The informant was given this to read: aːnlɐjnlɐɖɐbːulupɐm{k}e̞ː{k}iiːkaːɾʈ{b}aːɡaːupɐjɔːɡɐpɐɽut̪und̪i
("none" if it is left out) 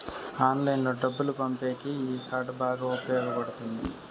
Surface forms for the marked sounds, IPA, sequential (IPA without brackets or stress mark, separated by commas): p, k, b